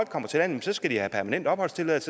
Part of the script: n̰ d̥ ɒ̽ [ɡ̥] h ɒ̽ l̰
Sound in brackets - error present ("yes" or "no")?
yes